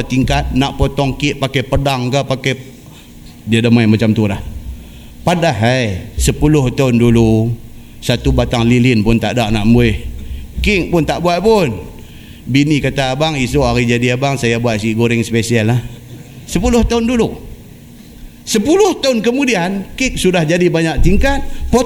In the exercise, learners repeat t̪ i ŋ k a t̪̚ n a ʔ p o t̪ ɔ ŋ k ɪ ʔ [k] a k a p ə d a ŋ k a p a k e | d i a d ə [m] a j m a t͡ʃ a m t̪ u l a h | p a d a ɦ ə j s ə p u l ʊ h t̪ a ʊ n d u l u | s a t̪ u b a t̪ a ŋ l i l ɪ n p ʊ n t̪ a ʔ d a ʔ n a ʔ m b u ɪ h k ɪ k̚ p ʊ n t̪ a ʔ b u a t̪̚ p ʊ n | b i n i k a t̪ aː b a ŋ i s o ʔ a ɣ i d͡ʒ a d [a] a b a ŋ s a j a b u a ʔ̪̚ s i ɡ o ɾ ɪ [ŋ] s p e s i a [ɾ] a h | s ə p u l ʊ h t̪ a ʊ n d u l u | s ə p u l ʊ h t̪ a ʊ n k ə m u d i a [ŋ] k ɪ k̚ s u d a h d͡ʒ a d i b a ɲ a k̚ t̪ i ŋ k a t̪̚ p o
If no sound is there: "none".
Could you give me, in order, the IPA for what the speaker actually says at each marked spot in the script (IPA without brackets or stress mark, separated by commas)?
p, m, i, ŋ, l, n